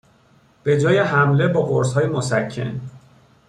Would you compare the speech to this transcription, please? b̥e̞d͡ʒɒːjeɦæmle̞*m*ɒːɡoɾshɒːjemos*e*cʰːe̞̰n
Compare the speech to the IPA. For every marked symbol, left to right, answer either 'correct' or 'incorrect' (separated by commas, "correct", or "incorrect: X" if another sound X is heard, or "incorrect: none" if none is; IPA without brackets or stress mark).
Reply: incorrect: b, incorrect: æ